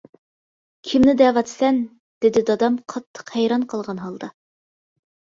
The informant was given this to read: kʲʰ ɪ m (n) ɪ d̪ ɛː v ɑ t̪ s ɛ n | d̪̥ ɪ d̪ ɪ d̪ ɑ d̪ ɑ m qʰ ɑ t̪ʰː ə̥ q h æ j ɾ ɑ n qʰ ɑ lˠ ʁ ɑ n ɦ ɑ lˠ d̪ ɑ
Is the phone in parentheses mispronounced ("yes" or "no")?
no